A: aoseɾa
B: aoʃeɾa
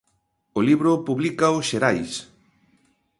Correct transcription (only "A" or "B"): B